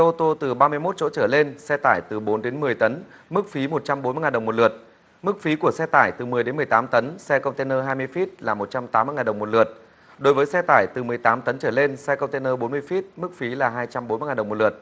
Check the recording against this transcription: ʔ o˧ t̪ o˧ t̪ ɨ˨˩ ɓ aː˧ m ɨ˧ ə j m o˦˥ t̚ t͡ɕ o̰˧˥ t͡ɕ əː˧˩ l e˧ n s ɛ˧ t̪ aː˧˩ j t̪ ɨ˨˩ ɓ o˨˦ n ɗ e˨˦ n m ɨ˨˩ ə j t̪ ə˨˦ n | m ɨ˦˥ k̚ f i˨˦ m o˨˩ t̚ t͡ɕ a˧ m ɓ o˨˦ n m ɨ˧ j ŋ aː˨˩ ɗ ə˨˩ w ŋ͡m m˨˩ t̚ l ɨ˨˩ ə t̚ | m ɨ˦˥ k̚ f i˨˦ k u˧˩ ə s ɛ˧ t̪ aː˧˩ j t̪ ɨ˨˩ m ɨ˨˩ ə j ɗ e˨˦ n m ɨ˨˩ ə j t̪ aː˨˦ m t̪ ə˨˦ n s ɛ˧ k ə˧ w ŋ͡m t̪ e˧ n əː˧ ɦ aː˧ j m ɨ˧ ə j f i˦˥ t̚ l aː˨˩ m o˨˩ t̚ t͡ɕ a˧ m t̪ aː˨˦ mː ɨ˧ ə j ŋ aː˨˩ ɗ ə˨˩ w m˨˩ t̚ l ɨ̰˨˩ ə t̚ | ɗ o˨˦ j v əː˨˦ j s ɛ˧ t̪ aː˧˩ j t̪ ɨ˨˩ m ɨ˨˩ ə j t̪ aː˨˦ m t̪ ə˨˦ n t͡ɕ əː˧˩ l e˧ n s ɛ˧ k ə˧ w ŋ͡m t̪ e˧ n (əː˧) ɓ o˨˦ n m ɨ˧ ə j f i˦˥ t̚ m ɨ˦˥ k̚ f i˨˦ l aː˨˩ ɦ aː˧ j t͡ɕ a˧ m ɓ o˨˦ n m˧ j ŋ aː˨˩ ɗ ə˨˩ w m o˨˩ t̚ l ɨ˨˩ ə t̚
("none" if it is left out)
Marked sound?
əː˧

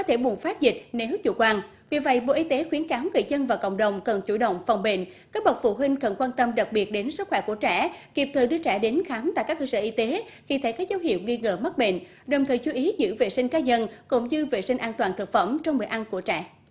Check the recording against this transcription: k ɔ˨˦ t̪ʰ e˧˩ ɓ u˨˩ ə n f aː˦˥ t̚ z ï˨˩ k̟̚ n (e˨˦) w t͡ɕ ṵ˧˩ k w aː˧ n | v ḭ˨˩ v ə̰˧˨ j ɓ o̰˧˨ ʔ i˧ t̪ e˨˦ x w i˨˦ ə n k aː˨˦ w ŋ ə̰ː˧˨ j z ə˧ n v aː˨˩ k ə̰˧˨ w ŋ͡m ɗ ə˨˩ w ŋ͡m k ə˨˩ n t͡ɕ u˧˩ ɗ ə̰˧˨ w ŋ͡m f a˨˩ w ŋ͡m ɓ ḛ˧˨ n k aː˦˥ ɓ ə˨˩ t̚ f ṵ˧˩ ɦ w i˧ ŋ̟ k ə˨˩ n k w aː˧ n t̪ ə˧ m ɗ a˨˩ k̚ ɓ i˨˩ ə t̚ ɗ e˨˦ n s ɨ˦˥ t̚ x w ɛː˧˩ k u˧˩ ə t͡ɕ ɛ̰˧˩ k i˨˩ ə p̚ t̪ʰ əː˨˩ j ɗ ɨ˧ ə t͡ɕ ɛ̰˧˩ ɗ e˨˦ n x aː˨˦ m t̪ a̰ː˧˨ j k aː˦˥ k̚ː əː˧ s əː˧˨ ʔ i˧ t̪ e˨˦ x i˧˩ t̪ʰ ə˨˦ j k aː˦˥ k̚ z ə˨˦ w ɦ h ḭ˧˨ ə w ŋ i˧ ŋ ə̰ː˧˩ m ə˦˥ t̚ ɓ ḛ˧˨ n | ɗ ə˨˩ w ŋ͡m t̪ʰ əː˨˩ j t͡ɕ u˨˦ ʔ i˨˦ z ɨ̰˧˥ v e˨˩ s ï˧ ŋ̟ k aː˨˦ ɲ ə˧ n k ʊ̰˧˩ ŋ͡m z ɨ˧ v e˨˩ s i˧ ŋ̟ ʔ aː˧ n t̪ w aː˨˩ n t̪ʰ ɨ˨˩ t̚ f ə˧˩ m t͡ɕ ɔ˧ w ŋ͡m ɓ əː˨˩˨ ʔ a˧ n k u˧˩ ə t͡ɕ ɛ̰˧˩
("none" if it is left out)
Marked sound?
e˨˦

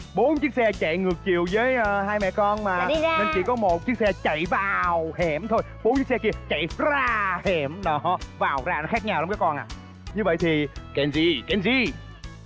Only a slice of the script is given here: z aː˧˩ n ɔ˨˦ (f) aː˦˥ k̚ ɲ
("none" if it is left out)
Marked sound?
x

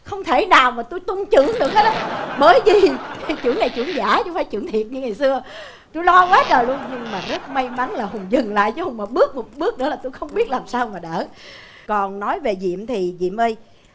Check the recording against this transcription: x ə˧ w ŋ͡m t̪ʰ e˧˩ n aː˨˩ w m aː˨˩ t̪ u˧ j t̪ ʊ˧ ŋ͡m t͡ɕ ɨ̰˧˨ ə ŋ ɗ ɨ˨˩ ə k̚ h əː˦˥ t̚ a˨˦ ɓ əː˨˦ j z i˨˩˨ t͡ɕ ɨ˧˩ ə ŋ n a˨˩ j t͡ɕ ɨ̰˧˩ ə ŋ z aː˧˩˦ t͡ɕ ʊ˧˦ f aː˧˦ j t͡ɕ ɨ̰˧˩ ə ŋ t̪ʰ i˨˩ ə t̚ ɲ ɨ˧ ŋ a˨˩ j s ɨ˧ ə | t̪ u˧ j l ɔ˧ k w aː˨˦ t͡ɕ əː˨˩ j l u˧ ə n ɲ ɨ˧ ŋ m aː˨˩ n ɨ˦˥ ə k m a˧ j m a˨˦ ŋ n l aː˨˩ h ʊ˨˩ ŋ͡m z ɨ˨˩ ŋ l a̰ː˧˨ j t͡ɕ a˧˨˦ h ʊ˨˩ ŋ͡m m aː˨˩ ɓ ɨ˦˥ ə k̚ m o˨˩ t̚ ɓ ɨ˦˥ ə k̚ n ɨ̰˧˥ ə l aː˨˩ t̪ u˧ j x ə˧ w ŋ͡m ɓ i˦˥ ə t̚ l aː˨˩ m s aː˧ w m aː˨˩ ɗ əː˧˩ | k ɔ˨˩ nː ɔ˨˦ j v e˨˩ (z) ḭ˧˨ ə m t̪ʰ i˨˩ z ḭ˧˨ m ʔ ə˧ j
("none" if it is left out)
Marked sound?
z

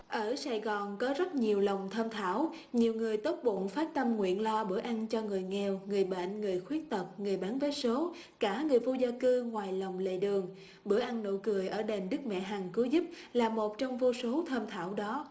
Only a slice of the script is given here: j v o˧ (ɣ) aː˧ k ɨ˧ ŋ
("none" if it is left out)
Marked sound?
z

